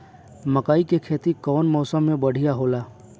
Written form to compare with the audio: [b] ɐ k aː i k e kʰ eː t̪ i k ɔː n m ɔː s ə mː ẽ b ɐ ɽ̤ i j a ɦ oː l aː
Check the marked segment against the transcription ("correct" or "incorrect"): incorrect